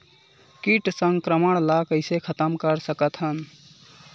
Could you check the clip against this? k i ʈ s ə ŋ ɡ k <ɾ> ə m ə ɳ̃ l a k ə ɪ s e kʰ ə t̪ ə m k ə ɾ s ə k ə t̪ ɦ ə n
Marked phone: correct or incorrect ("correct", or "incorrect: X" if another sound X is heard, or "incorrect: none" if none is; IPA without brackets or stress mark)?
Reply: correct